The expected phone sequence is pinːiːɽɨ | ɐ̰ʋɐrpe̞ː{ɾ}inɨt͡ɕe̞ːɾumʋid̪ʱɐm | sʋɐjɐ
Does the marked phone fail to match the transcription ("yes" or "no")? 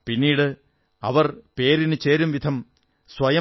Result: no